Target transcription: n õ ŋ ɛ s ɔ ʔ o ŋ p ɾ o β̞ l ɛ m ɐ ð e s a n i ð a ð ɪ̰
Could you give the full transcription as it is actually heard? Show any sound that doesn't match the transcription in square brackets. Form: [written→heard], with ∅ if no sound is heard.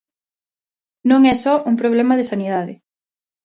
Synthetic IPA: n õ ŋ ɛ s ɔ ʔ [o→u] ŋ p ɾ o β̞ l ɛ m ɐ ð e s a n i ð a ð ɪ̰